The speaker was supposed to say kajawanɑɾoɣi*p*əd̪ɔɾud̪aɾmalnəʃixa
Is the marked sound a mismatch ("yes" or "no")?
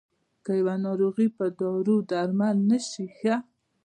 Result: no